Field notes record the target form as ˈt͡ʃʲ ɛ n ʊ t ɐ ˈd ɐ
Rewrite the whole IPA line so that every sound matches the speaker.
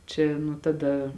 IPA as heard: ˈt͡ʃʲ ɛ n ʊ t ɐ ˈd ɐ